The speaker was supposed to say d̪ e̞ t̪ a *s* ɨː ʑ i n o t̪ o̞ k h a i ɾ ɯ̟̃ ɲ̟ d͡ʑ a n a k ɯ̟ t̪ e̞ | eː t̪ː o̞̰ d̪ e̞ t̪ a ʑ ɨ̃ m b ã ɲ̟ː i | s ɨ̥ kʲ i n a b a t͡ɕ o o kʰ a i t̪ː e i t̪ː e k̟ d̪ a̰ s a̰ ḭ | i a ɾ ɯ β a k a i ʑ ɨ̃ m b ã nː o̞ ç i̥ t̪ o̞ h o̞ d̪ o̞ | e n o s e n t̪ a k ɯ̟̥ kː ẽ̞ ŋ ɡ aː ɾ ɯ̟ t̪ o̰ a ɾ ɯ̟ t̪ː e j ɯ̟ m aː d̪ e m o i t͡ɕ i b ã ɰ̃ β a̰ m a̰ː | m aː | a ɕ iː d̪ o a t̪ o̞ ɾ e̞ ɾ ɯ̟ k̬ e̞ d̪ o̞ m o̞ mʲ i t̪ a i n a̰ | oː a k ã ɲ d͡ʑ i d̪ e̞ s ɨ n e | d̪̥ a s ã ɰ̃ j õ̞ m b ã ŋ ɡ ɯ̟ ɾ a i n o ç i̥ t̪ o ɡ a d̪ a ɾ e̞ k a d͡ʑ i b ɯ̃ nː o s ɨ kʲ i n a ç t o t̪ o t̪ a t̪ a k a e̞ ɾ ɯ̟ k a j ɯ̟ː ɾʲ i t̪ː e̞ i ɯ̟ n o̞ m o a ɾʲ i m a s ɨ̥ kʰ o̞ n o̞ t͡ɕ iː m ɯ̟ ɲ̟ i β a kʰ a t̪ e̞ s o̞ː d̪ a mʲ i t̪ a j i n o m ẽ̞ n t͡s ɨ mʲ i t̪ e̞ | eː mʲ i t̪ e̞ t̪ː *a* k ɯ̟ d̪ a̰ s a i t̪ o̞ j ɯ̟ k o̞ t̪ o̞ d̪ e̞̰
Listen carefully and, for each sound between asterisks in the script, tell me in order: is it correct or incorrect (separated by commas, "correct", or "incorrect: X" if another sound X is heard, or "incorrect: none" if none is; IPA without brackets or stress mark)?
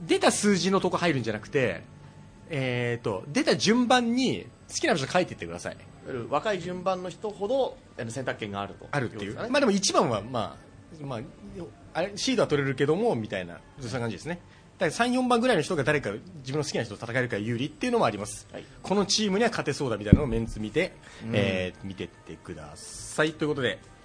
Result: correct, incorrect: e